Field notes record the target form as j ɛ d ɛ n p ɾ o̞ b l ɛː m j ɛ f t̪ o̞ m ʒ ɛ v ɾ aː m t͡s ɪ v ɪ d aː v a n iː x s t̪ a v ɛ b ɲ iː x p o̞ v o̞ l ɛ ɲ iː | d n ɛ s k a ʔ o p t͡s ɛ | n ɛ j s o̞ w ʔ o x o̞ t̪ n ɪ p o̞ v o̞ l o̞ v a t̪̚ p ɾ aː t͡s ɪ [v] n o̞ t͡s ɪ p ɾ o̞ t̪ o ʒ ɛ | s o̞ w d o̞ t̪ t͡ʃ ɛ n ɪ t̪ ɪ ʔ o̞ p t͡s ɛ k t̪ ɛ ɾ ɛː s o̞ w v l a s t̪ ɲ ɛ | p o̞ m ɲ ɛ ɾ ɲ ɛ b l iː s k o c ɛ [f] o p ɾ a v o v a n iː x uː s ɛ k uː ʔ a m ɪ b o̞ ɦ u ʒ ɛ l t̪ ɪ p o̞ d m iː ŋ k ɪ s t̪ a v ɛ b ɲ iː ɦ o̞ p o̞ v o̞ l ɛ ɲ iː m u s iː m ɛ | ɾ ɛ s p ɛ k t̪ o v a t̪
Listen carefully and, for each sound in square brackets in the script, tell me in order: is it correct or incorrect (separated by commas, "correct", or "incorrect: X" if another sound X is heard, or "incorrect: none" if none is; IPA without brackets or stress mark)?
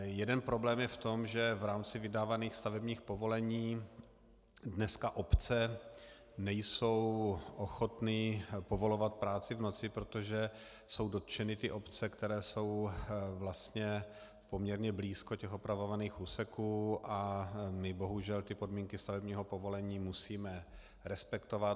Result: correct, incorrect: x